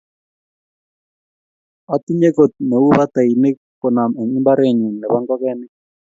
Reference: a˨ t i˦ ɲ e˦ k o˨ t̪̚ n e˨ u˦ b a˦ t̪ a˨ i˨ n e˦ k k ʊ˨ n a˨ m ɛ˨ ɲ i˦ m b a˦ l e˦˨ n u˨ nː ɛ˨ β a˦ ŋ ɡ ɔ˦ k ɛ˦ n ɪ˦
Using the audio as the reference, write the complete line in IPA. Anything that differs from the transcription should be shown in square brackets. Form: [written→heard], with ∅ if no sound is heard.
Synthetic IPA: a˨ t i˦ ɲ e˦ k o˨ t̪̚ n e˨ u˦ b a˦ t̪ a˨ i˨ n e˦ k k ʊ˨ n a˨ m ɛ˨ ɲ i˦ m b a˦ [l→ɾ] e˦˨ [n→ɲ] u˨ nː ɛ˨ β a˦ ŋ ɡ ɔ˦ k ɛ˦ n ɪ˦